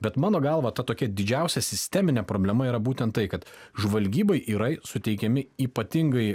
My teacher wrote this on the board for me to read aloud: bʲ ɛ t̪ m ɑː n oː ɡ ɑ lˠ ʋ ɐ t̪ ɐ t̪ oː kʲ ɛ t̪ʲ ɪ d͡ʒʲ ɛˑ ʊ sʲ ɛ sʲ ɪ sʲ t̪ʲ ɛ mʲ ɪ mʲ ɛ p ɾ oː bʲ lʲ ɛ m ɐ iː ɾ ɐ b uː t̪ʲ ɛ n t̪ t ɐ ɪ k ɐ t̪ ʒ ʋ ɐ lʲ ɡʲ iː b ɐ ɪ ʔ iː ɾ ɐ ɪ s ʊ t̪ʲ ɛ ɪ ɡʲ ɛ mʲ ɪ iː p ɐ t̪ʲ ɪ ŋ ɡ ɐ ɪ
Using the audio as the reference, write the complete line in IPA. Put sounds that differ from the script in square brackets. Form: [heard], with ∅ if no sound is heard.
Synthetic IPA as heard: bʲ ɛ t̪ m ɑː n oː ɡ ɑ lˠ ʋ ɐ t̪ ɐ t̪ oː kʲ ɛ [d̪ʲ] ɪ d͡ʒʲ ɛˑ ʊ sʲ ɛ sʲ ɪ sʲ t̪ʲ ɛ mʲ ɪ [nʲ] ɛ p ɾ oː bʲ lʲ ɛ m ɐ iː ɾ ɐ b uː t̪ʲ ɛ n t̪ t ɐ ɪ k ɐ t̪ ʒ ʋ ɐ lʲ ɡʲ iː b ɐ ɪ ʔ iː ɾ ɐ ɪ s ʊ t̪ʲ ɛ ɪ [kʲ] ɛ mʲ ɪ iː p ɐ t̪ʲ ɪ ŋ ɡ ɐ ɪ